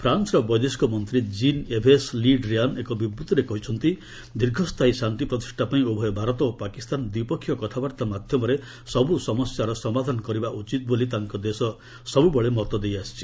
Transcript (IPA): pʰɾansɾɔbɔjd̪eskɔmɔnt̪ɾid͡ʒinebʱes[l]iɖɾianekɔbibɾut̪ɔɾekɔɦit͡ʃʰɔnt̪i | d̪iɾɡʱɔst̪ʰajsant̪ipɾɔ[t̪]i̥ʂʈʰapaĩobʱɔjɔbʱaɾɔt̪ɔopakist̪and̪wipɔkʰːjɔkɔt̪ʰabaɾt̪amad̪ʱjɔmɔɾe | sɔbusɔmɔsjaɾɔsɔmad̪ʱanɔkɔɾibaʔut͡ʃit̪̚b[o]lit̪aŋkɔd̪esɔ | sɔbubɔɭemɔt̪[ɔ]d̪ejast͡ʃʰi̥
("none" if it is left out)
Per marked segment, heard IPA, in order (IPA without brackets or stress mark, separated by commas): l, t̪, o, ɔ